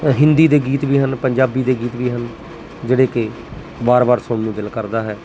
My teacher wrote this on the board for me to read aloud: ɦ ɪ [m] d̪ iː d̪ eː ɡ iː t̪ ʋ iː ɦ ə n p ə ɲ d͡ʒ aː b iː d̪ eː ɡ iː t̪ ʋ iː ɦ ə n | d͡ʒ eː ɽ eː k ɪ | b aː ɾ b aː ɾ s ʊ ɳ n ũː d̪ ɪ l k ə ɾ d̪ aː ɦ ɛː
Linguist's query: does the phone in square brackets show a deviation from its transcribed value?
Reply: yes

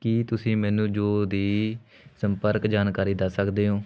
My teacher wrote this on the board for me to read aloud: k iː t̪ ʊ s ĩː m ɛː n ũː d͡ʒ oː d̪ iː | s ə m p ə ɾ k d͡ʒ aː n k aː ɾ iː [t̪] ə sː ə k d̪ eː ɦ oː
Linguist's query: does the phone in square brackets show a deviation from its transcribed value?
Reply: yes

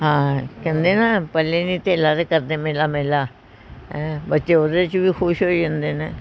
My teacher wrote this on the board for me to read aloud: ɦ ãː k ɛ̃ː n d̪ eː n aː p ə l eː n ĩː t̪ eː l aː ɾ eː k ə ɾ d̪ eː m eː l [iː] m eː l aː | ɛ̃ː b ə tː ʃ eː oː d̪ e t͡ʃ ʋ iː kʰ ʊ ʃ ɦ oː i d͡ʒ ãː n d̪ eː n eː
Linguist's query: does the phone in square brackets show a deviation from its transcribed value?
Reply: yes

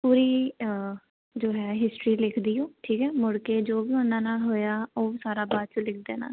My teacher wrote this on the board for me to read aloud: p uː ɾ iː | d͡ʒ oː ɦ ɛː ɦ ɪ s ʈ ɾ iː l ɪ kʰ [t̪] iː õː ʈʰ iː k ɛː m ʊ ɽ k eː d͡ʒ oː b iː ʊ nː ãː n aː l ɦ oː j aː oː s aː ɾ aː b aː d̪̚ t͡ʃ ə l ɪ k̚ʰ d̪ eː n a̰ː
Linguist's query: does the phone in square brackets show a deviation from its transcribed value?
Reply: yes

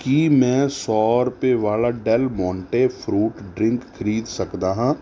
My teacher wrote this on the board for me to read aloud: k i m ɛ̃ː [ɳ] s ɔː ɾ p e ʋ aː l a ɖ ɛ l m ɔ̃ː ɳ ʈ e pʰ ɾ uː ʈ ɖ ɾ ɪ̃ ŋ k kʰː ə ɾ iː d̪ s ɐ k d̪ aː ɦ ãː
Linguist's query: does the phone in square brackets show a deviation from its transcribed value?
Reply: yes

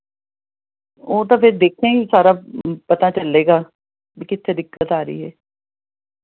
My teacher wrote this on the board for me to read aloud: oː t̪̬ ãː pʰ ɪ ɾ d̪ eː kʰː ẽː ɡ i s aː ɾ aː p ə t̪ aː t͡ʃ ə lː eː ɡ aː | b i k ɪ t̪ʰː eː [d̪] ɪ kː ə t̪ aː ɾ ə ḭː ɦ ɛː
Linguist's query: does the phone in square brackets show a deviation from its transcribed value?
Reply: no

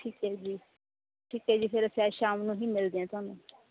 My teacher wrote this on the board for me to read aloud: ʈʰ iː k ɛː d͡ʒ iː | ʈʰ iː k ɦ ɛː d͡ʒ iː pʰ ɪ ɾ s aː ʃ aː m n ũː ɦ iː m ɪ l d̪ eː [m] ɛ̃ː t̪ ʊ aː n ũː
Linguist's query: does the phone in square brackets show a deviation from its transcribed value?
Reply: yes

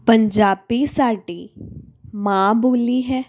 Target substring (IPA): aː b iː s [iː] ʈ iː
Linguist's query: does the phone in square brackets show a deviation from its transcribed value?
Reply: yes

